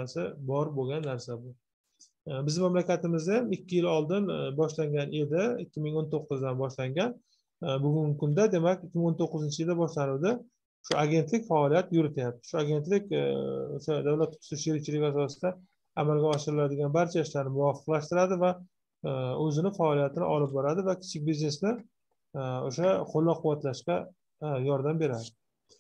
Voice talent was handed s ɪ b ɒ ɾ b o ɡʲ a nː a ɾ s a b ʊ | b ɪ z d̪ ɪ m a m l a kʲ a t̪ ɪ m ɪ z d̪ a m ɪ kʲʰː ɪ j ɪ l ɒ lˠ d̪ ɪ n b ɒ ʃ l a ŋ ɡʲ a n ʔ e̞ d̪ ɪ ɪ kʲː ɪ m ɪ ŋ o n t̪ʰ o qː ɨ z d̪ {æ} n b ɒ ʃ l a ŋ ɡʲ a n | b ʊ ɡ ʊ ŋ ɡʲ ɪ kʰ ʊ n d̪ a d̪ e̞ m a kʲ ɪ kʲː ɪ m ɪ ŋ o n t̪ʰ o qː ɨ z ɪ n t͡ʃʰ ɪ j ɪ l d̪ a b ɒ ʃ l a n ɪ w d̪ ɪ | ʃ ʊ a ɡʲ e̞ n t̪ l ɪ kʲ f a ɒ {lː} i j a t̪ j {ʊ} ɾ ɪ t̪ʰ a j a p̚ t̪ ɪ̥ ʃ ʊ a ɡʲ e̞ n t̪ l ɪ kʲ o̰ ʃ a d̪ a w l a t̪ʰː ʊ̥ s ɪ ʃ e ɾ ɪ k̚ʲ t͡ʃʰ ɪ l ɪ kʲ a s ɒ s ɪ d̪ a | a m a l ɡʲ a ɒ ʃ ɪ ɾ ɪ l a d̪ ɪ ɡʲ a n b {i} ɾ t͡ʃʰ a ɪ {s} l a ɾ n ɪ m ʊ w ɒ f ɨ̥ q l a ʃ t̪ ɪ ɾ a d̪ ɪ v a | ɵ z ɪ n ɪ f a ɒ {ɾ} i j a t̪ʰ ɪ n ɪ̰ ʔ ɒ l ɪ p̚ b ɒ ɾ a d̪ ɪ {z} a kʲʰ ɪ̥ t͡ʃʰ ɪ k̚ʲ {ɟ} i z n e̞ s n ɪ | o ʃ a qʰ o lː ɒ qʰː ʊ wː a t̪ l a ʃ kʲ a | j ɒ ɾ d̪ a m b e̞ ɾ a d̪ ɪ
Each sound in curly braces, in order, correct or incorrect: incorrect, incorrect, correct, incorrect, incorrect, incorrect, incorrect, incorrect

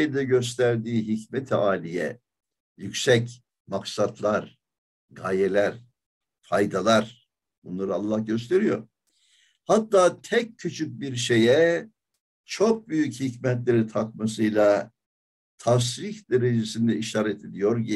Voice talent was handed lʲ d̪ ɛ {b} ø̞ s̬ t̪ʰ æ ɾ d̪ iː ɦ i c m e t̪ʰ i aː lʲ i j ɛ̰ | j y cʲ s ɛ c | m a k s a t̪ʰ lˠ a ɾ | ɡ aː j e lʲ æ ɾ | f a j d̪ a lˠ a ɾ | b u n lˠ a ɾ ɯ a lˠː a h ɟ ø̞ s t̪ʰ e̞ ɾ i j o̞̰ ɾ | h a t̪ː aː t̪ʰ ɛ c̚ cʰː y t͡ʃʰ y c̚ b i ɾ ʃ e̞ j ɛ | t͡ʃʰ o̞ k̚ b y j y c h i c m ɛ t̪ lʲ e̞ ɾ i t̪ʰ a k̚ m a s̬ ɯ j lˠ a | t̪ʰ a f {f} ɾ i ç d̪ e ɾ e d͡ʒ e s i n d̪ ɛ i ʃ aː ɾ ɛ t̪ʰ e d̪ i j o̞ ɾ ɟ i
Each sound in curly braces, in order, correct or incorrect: incorrect, incorrect

